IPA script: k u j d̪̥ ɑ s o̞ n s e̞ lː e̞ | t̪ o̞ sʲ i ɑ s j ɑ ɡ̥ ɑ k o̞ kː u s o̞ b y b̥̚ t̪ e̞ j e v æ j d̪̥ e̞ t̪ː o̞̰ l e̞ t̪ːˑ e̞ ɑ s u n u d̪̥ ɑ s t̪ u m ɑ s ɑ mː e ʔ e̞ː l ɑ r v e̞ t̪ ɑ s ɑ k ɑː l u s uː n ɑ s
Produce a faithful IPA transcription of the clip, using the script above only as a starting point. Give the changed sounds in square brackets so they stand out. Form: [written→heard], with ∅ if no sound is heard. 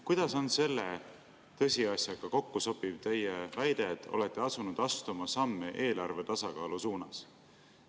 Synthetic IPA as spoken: k u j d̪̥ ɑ s o̞ n s e̞ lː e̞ | t̪ [o̞→ɤ̞] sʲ i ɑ s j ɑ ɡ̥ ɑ k o̞ kː u s o̞ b [y→i] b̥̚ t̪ e̞ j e v æ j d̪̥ e̞ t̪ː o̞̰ l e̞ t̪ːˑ e̞ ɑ s u n u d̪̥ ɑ s t̪ u m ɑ s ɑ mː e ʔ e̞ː l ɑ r v e̞ t̪ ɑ s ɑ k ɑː l u s uː n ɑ s